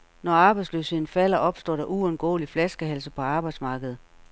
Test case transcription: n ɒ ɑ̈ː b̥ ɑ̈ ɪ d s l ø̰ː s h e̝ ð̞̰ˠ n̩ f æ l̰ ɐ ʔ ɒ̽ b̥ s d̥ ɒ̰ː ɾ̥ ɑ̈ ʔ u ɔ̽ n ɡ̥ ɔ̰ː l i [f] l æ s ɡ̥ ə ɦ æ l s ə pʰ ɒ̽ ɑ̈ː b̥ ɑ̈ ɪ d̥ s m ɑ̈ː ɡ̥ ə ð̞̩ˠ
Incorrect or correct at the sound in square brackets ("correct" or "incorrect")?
correct